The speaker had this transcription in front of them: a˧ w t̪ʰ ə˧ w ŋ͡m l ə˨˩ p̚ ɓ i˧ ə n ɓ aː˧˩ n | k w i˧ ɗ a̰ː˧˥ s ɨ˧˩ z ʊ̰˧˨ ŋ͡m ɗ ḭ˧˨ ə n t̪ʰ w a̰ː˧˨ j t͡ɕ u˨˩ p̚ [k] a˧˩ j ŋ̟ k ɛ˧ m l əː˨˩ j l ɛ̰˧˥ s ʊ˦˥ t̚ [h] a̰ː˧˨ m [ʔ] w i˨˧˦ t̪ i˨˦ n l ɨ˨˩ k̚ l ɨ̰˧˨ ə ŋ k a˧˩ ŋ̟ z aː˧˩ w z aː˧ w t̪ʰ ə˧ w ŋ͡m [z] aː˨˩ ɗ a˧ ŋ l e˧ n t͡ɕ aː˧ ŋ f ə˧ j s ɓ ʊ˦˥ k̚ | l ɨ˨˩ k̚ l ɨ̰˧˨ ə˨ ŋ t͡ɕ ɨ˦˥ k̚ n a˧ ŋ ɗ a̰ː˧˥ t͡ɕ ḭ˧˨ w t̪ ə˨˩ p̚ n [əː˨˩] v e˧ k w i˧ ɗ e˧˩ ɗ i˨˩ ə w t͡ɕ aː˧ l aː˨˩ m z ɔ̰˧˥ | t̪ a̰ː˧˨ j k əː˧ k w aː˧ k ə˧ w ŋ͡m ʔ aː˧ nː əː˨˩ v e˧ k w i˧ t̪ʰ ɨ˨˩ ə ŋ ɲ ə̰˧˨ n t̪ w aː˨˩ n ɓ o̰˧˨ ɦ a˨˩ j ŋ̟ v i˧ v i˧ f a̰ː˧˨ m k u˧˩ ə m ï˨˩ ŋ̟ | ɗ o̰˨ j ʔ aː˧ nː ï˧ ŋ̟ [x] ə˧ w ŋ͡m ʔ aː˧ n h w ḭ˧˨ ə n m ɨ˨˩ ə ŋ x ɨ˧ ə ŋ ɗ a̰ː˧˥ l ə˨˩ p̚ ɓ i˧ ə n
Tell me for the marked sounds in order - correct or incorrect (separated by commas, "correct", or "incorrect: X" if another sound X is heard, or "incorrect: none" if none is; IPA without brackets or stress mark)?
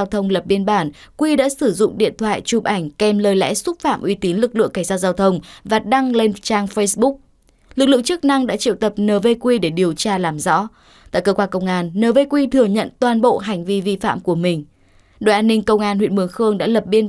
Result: incorrect: ʔ, incorrect: f, correct, incorrect: v, correct, incorrect: k